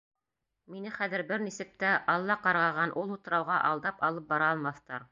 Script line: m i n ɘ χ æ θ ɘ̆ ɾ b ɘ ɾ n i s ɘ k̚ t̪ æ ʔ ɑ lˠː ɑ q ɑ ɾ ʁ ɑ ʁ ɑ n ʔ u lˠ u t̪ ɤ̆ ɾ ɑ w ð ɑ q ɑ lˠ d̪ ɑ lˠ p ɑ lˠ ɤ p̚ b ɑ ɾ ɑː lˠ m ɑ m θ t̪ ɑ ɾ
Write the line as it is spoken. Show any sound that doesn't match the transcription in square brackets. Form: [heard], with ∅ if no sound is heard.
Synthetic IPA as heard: m i n ɘ χ æ [ð] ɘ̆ ɾ b ɘ ɾ n i s ɘ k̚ t̪ æ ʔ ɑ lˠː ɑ q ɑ ɾ ʁ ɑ ʁ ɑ n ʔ u lˠ u t̪ ɤ̆ ɾ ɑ w [ʁ] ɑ [ʔ] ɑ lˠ d̪ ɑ [∅] p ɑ lˠ ɤ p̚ b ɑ ɾ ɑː lˠ m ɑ [∅] θ t̪ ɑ ɾ